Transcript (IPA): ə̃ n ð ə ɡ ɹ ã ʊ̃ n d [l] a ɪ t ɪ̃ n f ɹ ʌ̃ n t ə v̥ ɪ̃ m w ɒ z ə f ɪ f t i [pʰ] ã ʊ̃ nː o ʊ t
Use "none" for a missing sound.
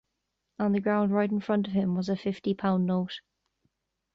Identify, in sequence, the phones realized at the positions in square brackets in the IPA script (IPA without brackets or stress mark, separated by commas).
ɹ, pʰ